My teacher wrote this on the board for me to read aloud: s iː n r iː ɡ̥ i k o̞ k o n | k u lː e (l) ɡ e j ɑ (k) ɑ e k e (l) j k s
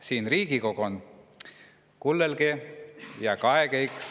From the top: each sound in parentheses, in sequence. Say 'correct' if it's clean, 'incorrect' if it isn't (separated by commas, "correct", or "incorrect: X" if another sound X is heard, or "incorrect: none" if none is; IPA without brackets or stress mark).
correct, correct, incorrect: none